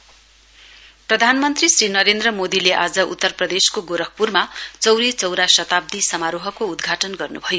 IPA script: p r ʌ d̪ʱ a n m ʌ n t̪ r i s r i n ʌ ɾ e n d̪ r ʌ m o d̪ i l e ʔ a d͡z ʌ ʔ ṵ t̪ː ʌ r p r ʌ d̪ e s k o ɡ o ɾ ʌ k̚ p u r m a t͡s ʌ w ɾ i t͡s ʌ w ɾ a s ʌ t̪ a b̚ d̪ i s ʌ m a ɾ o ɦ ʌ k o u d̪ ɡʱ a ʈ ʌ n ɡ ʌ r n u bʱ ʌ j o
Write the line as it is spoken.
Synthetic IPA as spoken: p r ʌ d̪ʱ a n m ʌ n t̪ r i s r i n ʌ ɾ e n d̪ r ʌ m o d̪ i l e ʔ a d͡z ʌ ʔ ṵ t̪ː ʌ r p r ʌ d̪ e s k o ɡ o ɾ ʌ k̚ p u r m a t͡s ʌ w ɾ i t͡s ʌ w ɾ a s ʌ t̪ a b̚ d̪ i s ʌ m a ɾ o ɦ ʌ k o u d̪ ɡʱ a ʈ ʌ n ɡ ʌ r n u bʱ ʌ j o